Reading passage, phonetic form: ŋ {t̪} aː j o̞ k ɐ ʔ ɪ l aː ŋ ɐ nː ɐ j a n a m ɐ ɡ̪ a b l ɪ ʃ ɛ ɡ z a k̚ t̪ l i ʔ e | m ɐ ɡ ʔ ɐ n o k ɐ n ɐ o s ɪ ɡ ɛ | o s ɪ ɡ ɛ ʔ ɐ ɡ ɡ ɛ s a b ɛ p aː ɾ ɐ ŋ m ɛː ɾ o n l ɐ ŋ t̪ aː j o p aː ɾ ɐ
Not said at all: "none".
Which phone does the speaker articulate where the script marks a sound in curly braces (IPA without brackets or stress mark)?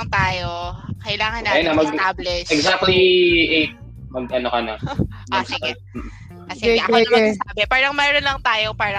t̪